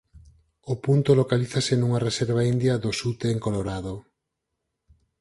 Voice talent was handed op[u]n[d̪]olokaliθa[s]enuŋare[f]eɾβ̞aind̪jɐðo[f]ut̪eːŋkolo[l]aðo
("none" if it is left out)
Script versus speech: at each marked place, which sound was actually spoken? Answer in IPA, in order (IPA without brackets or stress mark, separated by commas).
u, t̪, s, s, s, ɾ